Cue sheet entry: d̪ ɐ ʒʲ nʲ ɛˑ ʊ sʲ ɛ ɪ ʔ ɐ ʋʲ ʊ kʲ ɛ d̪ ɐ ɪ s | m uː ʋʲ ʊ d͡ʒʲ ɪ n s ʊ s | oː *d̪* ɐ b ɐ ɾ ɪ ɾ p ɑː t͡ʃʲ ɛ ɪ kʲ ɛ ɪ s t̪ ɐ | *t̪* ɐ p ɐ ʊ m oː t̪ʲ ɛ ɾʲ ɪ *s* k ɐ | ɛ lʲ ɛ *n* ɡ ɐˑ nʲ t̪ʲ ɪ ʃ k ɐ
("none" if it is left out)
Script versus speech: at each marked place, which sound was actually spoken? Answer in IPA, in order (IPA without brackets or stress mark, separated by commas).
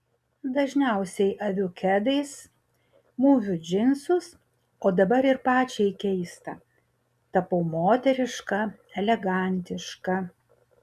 d̪, t̪, ʃ, none